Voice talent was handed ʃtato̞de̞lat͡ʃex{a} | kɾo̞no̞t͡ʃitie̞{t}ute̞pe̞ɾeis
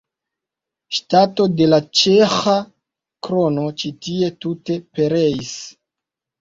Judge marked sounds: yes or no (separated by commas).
yes, yes